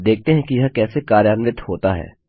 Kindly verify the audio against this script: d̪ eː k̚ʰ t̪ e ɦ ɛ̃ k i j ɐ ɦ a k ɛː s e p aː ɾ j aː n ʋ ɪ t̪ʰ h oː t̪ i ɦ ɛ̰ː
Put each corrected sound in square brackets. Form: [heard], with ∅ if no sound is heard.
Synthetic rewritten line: d̪ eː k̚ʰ t̪ e ɦ ɛ̃ k i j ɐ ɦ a k ɛː s e [k] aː ɾ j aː n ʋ ɪ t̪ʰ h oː t̪ [a] ɦ ɛ̰ː